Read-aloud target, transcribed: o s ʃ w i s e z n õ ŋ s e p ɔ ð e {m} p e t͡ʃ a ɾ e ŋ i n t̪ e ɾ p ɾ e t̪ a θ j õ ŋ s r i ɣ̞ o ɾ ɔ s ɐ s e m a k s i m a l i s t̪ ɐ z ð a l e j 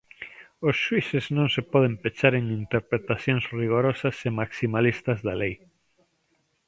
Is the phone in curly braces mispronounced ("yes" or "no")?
no